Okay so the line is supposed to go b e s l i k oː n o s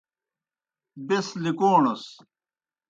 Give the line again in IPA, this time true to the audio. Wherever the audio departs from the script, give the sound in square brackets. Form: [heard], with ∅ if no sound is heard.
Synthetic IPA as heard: b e s l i k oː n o s